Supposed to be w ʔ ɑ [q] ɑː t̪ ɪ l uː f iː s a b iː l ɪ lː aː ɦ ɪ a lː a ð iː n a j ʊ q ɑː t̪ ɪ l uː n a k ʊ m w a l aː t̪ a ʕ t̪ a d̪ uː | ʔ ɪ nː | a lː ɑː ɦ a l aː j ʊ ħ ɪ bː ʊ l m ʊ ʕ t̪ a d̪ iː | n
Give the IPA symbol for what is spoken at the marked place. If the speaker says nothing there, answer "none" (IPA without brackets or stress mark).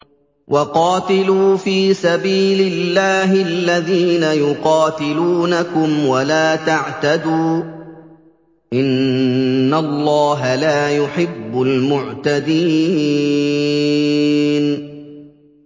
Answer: q